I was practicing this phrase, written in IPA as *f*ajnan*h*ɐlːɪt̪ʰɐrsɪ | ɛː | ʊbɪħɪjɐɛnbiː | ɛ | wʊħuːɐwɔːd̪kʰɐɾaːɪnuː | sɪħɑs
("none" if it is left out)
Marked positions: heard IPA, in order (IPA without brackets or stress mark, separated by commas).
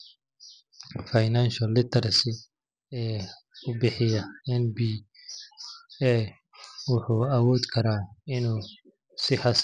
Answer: f, ʃ